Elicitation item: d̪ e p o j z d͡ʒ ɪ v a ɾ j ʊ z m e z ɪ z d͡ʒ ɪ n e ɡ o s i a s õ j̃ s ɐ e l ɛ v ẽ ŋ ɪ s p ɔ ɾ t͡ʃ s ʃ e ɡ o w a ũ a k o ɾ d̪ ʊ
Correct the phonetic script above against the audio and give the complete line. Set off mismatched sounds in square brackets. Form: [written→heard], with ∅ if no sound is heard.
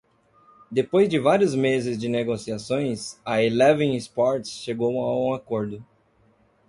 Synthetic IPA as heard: d̪ e p o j z d͡ʒ ɪ v a ɾ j ʊ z m e z ɪ z d͡ʒ ɪ n e ɡ o s i a s õ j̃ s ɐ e l ɛ v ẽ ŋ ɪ s p ɔ ɾ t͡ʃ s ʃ e ɡ o w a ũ a k o ɾ d̪ ʊ